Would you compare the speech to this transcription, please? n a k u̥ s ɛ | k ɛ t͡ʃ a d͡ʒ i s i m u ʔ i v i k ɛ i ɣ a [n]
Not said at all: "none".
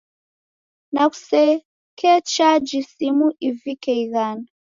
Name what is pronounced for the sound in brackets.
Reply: n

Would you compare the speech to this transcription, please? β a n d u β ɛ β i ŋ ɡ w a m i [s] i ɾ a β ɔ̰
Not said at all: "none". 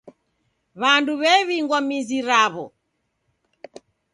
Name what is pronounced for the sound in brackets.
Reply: z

